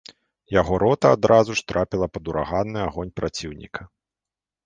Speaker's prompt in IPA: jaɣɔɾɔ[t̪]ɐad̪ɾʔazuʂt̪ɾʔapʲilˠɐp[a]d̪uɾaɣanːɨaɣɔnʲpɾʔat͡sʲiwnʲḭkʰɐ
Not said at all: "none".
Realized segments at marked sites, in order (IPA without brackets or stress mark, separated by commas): t̪, ɐ